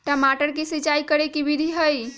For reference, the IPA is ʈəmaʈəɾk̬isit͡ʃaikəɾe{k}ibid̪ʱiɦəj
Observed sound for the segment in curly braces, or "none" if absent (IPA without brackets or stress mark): k